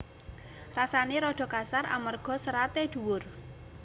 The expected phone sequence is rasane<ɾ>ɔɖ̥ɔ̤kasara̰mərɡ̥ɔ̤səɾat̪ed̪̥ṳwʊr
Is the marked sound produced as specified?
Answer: yes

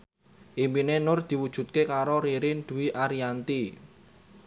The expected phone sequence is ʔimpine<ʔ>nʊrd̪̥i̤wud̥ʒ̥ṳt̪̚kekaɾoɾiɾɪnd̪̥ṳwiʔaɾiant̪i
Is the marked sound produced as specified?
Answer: no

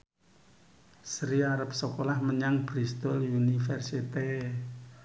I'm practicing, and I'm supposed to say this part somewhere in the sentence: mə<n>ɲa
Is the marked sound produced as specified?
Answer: no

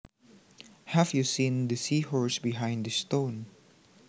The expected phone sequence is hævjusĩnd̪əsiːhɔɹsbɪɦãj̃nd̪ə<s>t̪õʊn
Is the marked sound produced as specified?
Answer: yes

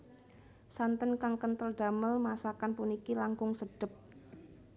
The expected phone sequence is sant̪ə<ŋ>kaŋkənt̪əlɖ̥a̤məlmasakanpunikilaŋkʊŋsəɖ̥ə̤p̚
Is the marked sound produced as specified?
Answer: no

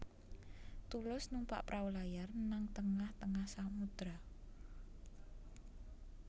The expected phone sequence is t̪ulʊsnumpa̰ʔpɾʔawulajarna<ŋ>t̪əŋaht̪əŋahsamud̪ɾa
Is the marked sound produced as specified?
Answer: yes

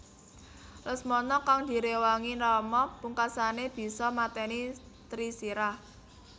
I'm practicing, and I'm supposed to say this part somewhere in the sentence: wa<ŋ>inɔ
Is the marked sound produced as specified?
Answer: yes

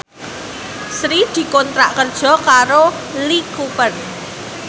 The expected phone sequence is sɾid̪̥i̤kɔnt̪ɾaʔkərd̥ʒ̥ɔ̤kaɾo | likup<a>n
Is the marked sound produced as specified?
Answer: no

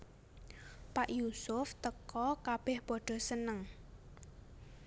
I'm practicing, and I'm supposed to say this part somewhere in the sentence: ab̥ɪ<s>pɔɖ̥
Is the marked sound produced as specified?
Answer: no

